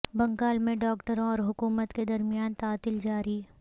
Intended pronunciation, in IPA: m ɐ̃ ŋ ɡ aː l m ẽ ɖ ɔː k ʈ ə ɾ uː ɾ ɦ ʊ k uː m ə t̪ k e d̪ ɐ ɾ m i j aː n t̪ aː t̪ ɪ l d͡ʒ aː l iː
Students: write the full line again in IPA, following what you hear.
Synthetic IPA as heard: b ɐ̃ ŋ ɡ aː l m ẽ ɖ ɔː k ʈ ə ɾ ɔː ɾ ɦ ʊ k uː m ə t̪ k e d̪ ɐ ɾ m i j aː n t̪ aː t̪ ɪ l d͡ʒ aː ɾ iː